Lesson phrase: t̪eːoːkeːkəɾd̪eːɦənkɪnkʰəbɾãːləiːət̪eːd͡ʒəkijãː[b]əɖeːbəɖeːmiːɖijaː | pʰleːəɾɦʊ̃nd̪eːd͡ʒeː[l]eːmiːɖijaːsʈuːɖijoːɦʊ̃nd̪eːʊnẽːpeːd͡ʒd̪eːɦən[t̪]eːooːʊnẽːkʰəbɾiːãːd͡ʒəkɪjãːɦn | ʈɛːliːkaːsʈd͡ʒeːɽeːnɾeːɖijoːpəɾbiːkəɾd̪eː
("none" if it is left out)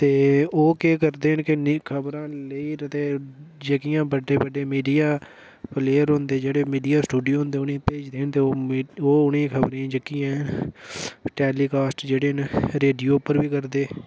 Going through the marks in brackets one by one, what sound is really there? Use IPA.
b, ɽ, t̪

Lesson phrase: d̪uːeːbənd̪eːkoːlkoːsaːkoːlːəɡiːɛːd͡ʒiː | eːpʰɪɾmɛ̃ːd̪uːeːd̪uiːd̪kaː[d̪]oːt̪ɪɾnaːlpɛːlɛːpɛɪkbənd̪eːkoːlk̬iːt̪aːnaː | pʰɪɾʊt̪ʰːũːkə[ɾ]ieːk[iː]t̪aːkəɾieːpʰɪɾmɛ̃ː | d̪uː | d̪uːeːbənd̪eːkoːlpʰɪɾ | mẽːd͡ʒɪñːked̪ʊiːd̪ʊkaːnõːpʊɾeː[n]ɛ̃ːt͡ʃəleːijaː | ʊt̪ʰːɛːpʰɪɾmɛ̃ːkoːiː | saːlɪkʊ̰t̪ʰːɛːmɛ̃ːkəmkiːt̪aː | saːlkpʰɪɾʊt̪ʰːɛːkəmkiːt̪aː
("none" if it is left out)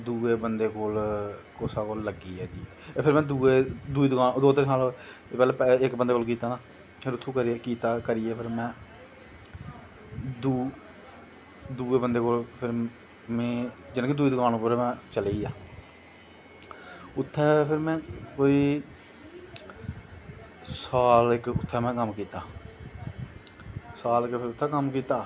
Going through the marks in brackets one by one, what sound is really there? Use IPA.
d̪, ɾ, iː, m

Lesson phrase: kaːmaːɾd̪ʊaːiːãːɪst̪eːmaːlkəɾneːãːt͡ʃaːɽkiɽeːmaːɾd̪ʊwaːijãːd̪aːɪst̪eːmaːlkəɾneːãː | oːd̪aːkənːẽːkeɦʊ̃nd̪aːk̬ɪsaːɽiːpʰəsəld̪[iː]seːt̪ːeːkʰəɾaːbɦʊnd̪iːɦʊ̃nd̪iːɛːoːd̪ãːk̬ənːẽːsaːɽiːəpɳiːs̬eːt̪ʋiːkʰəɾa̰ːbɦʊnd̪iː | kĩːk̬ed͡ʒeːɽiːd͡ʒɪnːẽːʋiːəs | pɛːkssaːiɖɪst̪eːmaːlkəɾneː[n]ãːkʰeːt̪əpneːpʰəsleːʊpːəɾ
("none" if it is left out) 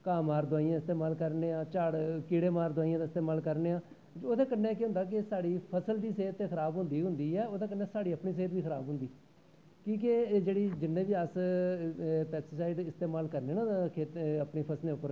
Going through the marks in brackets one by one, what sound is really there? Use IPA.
iː, n

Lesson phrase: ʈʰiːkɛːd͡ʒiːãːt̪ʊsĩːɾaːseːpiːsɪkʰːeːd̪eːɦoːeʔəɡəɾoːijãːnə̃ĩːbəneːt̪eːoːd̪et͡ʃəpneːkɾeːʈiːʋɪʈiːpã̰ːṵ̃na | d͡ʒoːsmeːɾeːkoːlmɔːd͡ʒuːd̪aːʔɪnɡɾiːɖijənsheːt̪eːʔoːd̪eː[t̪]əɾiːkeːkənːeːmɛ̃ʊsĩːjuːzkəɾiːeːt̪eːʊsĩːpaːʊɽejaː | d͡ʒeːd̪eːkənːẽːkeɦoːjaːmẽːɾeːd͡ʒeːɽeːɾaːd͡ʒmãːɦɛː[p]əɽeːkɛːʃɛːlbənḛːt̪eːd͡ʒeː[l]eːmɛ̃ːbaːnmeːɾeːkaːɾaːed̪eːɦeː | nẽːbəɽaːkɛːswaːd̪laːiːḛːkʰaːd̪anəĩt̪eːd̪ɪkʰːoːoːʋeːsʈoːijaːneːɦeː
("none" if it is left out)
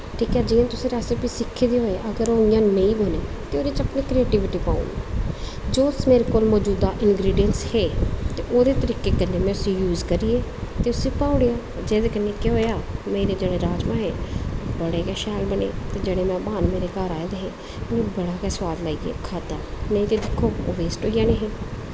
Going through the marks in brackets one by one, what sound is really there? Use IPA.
t̪, b, ɽ

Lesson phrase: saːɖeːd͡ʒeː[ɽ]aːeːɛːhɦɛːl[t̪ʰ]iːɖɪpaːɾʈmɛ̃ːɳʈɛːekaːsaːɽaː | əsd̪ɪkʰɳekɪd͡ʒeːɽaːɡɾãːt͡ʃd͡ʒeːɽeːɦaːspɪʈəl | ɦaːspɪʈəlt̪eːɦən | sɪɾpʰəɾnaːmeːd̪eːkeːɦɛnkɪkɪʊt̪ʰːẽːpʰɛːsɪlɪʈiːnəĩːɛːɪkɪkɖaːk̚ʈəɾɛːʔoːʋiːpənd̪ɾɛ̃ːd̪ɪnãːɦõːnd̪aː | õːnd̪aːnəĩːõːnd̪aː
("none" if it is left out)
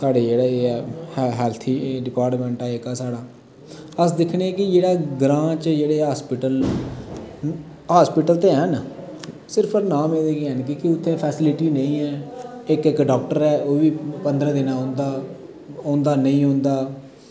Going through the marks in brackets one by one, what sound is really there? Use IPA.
ɽ, t̪ʰ

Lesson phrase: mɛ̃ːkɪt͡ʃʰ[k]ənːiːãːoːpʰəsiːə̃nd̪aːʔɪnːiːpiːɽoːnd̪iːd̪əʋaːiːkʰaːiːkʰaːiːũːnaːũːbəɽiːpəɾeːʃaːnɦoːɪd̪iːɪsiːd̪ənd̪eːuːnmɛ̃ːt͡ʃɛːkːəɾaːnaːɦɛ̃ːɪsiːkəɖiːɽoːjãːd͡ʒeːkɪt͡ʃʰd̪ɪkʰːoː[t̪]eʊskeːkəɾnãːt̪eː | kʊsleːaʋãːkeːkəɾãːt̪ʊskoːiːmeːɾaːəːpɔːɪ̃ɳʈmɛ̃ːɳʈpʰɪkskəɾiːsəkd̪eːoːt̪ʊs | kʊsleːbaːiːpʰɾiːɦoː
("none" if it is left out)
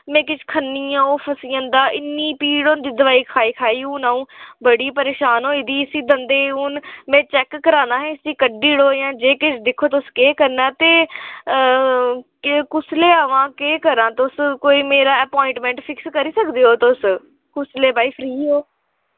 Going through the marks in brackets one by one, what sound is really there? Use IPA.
kʰ, t̪

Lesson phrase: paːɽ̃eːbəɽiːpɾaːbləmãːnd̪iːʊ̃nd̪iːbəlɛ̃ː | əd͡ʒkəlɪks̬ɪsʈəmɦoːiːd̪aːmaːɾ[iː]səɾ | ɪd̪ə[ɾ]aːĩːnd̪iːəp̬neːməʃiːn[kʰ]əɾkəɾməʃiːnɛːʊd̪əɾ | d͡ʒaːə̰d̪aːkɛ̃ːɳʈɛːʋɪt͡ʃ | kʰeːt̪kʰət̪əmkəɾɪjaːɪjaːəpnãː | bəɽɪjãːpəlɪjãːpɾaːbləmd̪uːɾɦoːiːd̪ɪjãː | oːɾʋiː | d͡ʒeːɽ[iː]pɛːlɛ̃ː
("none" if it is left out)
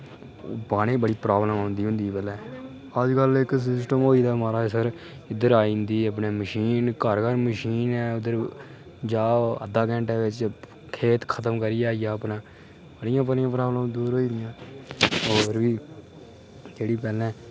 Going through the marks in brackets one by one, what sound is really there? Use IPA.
aː, ɾ, k, iː

